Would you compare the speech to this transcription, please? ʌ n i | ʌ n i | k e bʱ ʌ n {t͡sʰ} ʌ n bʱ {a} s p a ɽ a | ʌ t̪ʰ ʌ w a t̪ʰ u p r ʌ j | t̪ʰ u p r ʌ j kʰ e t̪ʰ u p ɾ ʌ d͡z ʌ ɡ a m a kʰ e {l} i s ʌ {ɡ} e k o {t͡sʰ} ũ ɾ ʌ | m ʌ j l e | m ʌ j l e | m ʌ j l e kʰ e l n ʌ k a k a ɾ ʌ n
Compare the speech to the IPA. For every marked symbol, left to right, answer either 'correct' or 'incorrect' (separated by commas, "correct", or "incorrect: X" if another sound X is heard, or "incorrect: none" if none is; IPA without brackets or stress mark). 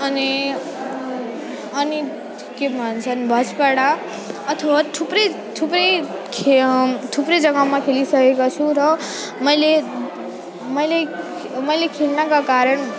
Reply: correct, incorrect: ʌ, correct, incorrect: k, correct